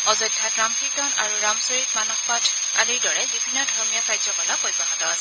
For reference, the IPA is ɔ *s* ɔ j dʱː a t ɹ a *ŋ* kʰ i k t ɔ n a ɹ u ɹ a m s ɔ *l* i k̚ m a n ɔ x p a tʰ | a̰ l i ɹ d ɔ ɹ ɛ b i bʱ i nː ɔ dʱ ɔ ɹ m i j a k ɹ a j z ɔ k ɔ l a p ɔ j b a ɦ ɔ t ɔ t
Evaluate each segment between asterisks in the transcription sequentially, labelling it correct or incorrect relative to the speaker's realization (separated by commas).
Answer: incorrect, incorrect, incorrect